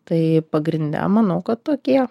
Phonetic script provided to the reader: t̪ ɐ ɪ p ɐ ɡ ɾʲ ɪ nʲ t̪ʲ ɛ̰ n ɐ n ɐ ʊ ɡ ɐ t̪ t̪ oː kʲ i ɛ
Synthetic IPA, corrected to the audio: t̪ ɐ ɪ p ɐ ɡ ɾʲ ɪ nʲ d̪ʲ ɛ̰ m ɐ n ɐ ʊ k ɐ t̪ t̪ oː kʲ i ɛ